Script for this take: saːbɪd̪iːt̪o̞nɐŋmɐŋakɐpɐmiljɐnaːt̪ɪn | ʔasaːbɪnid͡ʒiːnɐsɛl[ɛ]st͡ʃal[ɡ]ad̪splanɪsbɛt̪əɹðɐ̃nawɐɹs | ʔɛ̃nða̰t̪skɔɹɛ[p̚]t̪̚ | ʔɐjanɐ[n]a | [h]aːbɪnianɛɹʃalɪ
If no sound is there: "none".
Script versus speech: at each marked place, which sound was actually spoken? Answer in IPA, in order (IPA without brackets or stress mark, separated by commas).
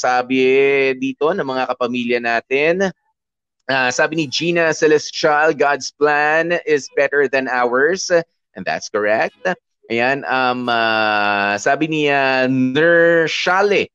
ɛ, ɡ, k̚, m, s